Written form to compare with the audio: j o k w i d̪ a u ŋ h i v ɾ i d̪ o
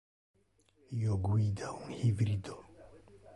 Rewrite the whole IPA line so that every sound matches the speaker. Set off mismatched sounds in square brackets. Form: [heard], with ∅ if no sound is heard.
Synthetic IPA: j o [ɡ] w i d̪ a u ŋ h i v ɾ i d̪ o